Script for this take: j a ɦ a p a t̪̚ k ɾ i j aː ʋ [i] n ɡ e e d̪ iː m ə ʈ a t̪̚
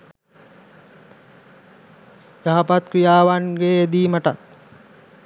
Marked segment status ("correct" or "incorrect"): incorrect